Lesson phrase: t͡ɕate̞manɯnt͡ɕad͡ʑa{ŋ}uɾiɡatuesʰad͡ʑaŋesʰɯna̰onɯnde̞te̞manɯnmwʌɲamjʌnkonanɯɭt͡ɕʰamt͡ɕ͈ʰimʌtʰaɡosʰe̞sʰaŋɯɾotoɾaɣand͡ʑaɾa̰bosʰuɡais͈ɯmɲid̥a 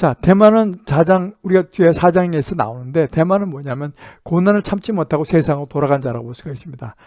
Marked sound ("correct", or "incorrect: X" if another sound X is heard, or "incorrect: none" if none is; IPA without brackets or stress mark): correct